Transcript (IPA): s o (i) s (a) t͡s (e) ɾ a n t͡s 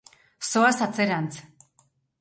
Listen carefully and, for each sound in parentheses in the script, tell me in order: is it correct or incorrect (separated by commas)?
incorrect, correct, correct